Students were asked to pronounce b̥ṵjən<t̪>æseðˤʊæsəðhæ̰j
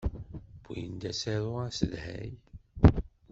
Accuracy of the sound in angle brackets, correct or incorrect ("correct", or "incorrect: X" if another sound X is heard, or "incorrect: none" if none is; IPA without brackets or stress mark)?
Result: incorrect: d̪